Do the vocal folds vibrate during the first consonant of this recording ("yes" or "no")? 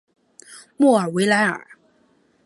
yes